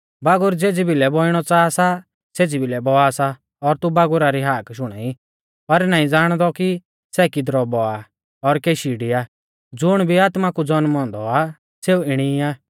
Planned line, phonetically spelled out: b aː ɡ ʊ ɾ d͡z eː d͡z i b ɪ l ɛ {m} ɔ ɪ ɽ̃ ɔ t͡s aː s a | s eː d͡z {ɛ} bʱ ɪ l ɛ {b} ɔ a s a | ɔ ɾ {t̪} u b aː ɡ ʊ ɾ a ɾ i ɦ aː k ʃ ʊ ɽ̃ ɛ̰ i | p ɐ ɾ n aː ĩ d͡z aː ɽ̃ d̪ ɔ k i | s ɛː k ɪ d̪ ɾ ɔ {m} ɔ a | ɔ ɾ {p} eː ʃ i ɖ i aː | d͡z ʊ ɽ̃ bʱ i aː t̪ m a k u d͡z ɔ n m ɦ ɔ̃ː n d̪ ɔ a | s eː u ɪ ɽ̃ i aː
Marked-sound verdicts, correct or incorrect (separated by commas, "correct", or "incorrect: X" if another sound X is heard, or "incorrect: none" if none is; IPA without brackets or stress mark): incorrect: b, incorrect: i, correct, correct, incorrect: b, incorrect: k